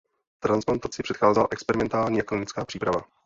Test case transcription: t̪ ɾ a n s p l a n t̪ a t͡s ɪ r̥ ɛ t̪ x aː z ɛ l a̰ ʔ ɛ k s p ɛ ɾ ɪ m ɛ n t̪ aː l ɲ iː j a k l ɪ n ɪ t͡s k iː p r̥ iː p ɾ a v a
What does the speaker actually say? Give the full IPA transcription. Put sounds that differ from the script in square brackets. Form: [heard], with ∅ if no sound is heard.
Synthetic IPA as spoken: t̪ ɾ a n s p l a n t̪ a t͡s ɪ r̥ ɛ t̪ x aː z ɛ l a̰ ʔ ɛ k s p ɛ ɾ ɪ m ɛ n t̪ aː l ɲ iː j a k l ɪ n ɪ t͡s k [aː] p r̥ iː p ɾ a v a